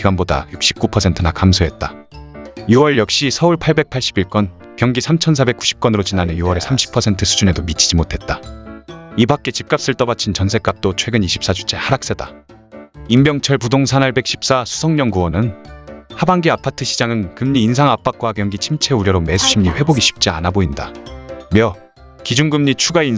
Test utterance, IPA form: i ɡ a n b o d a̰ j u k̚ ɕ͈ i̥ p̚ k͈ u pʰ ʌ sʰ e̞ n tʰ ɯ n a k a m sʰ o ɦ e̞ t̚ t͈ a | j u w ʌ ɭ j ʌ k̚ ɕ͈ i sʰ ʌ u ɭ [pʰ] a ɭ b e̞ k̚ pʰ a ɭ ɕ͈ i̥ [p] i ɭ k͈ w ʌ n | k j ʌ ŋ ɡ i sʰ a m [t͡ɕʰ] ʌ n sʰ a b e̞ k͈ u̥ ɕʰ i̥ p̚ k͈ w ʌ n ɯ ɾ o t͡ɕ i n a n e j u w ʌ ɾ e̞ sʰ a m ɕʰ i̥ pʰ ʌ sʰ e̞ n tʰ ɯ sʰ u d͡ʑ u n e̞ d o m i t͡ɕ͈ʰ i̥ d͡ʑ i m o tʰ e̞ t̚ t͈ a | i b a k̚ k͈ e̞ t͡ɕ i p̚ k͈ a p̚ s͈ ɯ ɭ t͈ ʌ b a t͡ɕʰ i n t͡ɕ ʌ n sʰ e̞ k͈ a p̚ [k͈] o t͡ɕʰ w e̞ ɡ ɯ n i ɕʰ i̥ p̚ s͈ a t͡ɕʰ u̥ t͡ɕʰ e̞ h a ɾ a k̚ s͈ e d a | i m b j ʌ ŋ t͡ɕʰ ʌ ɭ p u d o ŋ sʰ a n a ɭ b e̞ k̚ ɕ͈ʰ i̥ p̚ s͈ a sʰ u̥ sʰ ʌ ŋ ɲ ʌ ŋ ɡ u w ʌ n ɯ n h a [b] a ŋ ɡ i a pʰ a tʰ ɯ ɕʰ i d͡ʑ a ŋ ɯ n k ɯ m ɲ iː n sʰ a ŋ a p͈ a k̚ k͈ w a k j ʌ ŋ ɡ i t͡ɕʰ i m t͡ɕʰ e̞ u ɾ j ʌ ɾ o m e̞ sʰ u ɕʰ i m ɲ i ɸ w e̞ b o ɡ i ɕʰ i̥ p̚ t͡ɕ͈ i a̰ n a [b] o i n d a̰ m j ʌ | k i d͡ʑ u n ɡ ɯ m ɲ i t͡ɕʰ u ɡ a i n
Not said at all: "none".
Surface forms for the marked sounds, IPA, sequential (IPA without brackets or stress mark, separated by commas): pʰ, b, t͡ɕʰ, t͈, b, b